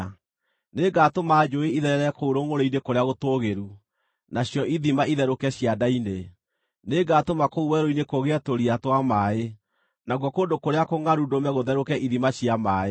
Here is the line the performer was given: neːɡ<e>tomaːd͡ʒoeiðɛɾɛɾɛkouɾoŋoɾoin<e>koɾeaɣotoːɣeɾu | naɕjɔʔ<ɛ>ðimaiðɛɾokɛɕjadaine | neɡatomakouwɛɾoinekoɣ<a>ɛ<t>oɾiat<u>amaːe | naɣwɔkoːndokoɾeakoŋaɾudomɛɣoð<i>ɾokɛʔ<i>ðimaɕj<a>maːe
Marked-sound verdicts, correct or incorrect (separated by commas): incorrect, correct, incorrect, incorrect, correct, incorrect, incorrect, correct, correct